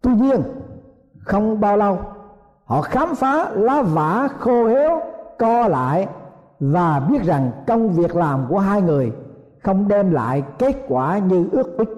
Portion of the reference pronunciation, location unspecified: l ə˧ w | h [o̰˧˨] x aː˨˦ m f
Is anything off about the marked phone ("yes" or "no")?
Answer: yes